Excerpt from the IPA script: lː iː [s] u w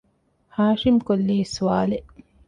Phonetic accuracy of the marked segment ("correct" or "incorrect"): correct